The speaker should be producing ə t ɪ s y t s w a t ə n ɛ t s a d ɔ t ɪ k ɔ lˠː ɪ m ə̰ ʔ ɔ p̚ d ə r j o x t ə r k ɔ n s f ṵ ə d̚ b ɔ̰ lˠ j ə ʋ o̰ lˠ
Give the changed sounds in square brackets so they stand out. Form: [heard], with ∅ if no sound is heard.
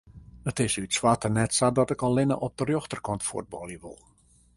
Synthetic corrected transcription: ə t ɪ s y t s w a t ə n ɛ t s a d ɔ t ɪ k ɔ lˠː ɪ [n] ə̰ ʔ ɔ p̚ d ə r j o x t ə r k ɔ n [t] f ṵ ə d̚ b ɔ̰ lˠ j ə ʋ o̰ lˠ

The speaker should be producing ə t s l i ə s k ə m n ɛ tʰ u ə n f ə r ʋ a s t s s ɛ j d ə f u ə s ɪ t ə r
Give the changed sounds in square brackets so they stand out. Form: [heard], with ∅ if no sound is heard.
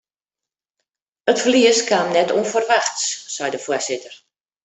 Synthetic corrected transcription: ə t [f] l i ə s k [a] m n ɛ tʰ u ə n f ə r ʋ a [x] t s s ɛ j d ə f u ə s ɪ t ə r

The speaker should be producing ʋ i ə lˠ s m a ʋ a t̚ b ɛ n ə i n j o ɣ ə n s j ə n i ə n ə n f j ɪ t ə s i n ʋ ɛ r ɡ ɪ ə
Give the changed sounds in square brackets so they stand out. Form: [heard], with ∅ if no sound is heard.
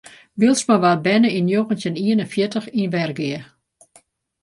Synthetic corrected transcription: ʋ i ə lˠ s m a ʋ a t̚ b ɛ n ə i n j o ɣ ə n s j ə n i ə n ə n f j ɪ t ə [x] i n ʋ ɛ r ɡ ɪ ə

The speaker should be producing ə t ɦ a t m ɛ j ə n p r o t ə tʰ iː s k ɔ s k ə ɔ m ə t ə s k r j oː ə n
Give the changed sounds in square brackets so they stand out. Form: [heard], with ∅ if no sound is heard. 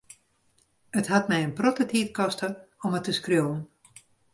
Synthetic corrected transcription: ə t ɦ a t m ɛ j ə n p r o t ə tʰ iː [t] k ɔ s [t] ə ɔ m ə t ə s k r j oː ə n

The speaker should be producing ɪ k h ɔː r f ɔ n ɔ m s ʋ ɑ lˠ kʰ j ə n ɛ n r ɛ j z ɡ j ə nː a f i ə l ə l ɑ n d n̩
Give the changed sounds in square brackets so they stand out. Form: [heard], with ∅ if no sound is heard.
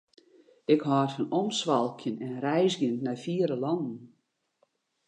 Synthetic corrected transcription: ɪ k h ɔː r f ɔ n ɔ m s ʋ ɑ lˠ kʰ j ə n ɛ n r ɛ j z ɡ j ə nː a f i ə [ɾ] ə l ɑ n d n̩

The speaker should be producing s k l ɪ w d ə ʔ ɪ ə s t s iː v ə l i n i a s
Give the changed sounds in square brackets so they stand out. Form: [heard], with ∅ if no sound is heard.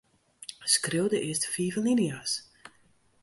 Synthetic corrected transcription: s k [r] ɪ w d ə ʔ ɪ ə s t [f] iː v ə l i n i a s

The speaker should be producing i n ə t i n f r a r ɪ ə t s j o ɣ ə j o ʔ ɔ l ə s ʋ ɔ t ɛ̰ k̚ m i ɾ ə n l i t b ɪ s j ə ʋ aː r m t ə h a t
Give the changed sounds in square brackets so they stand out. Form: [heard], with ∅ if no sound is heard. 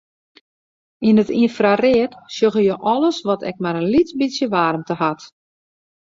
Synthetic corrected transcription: i n ə t i n f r a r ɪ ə t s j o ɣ ə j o ʔ ɔ l ə s ʋ ɔ t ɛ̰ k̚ m [a] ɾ ə n l i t b [i] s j ə ʋ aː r m t ə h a t

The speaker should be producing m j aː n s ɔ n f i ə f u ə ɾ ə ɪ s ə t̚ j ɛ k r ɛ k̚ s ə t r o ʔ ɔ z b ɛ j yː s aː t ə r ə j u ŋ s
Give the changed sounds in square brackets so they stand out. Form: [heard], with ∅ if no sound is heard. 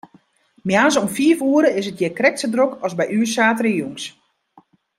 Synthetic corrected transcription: m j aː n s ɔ [m] f i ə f u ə ɾ ə ɪ s ə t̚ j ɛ k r ɛ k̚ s ə [d] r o [k] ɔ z b ɛ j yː s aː t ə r ə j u ŋ s

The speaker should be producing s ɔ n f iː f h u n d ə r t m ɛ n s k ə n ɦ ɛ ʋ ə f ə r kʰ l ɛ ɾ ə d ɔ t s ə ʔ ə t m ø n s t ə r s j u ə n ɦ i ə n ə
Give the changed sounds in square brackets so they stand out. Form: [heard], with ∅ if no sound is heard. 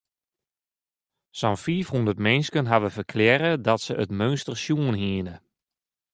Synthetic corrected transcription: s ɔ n f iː f h u n d ə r t m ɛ n s k ə n ɦ [a] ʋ ə f ə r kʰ l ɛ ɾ ə d ɔ t s ə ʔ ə t m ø n s t ə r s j u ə n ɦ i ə n ə

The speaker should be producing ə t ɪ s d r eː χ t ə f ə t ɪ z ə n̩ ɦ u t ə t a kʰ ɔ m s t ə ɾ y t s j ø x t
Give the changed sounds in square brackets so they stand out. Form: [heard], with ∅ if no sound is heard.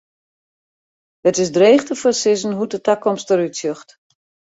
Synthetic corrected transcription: ə t ɪ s d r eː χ t ə f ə [s] ɪ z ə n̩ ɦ u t ə t a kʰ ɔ m s t ə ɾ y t s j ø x t

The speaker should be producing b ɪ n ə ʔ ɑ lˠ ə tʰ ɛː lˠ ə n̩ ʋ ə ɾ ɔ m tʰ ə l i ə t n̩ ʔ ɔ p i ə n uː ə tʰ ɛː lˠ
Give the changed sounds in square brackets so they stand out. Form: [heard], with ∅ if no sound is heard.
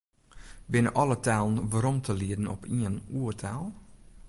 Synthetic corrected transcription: b ɪ n ə ʔ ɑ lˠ ə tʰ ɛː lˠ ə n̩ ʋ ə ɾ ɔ m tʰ ə l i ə [d] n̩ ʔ ɔ p i ə n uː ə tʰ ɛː lˠ

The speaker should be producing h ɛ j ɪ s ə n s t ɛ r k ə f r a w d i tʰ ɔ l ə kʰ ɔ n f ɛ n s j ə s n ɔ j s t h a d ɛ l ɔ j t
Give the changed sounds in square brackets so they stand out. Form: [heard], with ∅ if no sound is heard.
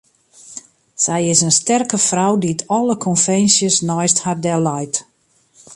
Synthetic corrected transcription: [s] ɛ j ɪ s ə n s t ɛ r k ə f r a w d i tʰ ɔ l ə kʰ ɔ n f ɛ n s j ə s n ɔ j s t h a d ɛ l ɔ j t

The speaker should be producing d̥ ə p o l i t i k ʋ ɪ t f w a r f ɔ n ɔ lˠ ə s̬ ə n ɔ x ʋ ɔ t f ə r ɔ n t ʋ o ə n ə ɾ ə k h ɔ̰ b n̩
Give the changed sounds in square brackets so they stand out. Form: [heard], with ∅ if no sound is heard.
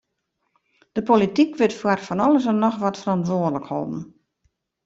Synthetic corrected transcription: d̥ ə p o l i t i k ʋ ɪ t f w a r f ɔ n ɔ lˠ ə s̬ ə n ɔ x ʋ ɔ t f ə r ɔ n t ʋ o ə [d] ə [l] ə k h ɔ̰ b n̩

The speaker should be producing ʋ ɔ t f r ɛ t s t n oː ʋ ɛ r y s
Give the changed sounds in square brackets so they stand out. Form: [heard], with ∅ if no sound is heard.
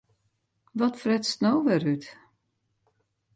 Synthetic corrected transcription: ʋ ɔ t f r ɛ t s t n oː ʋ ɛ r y [t]

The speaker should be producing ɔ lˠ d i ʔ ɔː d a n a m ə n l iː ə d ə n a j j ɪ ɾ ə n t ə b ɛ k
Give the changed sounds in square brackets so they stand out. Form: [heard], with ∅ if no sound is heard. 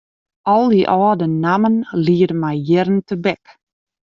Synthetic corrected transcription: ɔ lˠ d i ʔ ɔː d [ə] n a m ə n l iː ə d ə [m] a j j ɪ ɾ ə n t ə b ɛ k

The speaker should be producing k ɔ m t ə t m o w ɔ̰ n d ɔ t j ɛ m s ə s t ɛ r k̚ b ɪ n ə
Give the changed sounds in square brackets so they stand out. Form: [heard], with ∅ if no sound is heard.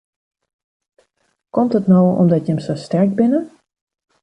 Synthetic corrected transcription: k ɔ m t ə t [n] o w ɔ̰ [m] d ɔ t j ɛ m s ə s t ɛ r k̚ b ɪ n ə

